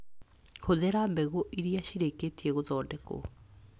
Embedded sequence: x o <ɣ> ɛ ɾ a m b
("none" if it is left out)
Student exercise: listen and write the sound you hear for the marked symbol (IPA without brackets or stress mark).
ð